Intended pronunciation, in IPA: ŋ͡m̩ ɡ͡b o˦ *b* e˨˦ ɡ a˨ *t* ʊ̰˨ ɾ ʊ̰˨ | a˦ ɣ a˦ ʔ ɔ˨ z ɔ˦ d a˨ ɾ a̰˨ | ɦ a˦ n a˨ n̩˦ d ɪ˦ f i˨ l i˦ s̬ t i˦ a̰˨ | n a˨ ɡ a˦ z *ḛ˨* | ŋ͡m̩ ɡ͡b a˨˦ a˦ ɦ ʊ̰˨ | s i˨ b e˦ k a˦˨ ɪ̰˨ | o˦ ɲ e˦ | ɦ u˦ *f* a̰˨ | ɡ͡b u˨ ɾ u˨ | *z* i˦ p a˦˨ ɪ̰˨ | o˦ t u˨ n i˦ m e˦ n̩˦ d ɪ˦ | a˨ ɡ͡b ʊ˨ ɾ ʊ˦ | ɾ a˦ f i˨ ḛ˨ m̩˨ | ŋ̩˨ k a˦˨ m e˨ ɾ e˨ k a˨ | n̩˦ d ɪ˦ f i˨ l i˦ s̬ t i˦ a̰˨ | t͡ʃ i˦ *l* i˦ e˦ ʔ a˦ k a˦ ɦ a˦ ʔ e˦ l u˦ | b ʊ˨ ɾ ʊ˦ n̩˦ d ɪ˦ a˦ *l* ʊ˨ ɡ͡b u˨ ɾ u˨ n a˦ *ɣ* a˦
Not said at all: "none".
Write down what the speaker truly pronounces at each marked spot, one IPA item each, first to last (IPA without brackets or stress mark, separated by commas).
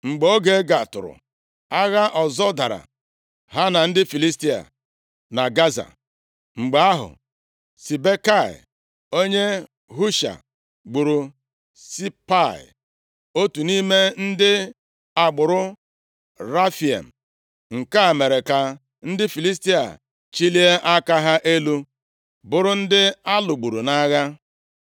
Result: ɡ, t, a̰˨, ʃ, s, l, l, ɣ